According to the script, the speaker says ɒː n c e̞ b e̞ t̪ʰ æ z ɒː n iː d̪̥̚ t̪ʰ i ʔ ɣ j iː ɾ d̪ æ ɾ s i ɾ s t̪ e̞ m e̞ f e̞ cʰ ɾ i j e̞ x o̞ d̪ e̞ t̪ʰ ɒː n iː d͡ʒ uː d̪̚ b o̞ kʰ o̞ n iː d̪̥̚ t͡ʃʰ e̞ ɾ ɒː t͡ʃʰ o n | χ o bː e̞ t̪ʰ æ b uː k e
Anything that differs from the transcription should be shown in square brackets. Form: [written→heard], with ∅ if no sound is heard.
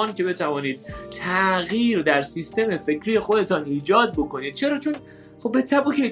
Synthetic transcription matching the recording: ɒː n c e̞ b e̞ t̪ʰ æ [z→v] ɒː n iː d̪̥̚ t̪ʰ [i→æ] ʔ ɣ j iː ɾ d̪ æ ɾ s i [ɾ→∅] s t̪ e̞ m e̞ f e̞ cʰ ɾ i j e̞ x o̞ d̪ e̞ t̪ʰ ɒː n iː d͡ʒ [uː→ɒː] d̪̚ b o̞ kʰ o̞ n iː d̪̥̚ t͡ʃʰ e̞ ɾ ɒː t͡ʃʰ o n | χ o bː e̞ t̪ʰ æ b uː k e